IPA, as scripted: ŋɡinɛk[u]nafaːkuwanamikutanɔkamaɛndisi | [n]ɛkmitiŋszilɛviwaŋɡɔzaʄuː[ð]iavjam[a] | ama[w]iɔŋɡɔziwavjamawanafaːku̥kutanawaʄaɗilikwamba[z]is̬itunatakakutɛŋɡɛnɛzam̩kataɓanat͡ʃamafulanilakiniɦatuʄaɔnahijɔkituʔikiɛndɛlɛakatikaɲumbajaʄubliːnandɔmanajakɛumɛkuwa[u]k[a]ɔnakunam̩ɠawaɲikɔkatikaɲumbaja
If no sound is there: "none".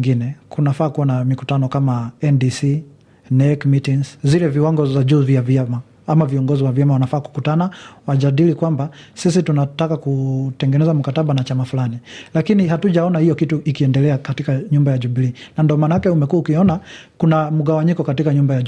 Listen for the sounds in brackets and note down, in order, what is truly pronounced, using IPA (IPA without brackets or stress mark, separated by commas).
u, n, v, a, v, s, u, i